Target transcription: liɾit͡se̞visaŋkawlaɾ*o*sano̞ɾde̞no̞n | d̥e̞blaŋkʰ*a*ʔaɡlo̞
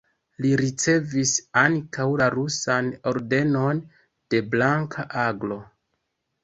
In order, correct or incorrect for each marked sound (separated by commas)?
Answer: incorrect, correct